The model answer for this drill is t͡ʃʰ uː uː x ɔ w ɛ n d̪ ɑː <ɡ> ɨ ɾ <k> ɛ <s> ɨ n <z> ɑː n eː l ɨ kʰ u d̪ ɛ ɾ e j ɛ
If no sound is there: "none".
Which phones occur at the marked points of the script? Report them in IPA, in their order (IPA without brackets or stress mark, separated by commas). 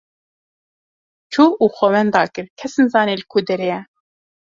k, kʰ, s, z